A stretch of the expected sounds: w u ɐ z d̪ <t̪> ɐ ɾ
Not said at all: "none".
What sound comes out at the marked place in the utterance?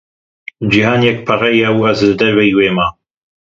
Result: d̪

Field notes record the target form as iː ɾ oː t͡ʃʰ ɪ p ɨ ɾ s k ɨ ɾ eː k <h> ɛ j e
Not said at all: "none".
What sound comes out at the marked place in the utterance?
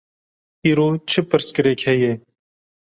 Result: h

